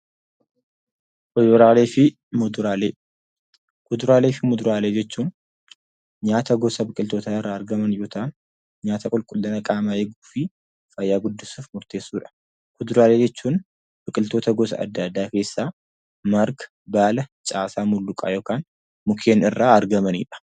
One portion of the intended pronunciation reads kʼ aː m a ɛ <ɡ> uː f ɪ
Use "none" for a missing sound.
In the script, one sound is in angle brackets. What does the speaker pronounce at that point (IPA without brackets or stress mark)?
ɡ